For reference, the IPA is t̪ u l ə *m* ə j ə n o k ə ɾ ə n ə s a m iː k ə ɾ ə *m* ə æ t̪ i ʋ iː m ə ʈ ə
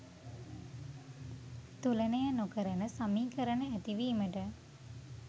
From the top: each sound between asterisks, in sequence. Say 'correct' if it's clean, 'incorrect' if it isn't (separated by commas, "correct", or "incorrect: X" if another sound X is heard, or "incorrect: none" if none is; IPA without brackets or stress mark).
incorrect: n, incorrect: n